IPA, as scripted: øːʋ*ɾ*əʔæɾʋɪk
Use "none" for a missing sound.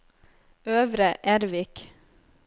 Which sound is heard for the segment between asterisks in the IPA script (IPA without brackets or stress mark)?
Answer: ɾ